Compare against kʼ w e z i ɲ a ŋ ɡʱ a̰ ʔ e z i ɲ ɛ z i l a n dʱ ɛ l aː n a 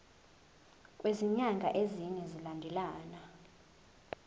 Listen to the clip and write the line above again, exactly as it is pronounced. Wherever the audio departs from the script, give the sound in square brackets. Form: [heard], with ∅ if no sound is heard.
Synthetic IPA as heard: kʼ w e z i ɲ a ŋ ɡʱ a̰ ʔ e z i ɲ ɛ z i l a n dʱ ɛ l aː n a